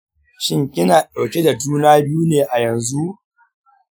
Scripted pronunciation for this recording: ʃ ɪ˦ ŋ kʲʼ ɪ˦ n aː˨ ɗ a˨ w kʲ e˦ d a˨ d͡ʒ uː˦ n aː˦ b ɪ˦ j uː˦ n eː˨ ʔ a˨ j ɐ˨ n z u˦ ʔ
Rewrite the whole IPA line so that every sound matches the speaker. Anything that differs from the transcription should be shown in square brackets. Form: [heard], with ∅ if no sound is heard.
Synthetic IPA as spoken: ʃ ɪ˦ ŋ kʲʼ ɪ˦ n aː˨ ɗ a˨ w kʲ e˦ d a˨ d͡ʒ uː˦ n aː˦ b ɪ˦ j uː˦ n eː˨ ʔ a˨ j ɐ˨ n z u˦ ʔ